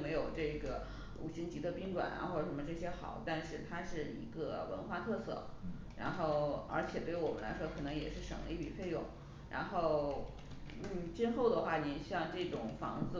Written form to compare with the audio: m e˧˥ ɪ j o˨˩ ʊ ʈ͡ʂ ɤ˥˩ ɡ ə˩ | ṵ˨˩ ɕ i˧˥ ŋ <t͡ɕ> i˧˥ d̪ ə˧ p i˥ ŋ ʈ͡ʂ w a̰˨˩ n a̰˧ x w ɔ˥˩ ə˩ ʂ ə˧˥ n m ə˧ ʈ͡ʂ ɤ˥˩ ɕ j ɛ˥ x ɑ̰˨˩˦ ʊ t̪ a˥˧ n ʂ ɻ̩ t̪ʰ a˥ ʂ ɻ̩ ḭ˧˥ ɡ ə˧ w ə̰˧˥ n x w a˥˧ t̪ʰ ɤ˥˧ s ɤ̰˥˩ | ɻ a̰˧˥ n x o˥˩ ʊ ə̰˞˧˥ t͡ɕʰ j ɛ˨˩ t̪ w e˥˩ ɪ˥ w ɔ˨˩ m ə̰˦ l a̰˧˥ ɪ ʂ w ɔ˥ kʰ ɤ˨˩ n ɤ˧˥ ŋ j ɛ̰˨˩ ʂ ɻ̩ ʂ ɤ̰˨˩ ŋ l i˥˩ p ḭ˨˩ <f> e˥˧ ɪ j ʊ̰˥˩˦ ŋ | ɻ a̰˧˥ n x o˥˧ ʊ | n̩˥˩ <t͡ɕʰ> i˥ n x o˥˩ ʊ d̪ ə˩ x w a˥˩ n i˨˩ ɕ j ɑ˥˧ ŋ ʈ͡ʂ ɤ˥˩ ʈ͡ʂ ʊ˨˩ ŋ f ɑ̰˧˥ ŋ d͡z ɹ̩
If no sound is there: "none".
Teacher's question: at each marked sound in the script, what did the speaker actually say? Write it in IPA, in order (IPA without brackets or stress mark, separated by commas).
t͡ɕ, f, t͡ɕ